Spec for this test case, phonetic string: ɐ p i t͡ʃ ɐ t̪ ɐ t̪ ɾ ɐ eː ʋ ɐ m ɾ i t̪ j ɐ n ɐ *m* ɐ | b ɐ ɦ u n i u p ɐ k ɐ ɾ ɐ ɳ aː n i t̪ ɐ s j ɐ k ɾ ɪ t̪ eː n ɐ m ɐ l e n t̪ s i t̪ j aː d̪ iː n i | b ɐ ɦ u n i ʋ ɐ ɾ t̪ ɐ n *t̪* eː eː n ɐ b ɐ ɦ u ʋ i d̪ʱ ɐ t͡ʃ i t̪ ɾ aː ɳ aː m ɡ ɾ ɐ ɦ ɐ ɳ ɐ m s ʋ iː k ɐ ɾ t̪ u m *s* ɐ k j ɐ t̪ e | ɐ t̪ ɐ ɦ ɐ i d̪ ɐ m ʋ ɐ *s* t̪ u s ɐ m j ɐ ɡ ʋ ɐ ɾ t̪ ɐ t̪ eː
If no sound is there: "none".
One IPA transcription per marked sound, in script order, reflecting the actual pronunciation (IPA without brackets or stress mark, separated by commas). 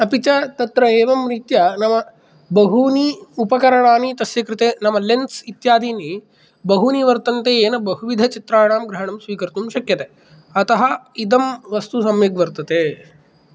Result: m, t̪, ʃ, s